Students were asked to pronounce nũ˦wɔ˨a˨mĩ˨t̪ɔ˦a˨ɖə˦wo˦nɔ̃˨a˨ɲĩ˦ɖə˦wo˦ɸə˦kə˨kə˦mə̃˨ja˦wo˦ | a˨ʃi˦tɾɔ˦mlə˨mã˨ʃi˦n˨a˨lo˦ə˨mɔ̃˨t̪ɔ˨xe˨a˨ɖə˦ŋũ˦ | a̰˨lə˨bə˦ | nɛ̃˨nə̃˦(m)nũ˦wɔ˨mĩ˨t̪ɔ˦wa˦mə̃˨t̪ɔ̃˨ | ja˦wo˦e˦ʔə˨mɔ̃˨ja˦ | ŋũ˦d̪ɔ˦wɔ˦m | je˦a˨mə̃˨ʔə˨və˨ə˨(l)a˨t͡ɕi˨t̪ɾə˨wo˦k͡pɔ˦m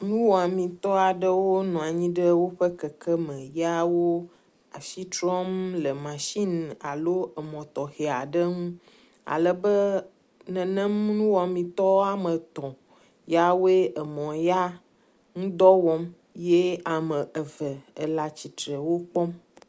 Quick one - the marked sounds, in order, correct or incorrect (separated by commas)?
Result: correct, correct